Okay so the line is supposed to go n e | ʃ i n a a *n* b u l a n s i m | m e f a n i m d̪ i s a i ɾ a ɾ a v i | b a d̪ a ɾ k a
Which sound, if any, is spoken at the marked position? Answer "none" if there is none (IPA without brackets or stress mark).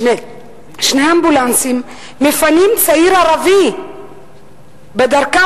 m